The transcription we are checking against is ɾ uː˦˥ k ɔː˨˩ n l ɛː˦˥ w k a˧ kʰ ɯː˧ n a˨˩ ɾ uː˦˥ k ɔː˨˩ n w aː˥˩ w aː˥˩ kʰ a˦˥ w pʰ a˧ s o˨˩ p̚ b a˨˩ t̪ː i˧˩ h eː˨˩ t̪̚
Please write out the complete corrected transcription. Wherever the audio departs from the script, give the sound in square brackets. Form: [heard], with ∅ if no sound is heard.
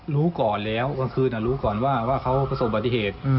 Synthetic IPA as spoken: ɾ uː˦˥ k ɔː˨˩ n l ɛː˦˥ w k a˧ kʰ ɯː˧ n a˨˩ ɾ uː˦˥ k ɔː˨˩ n w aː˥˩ w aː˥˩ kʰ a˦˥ w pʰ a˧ s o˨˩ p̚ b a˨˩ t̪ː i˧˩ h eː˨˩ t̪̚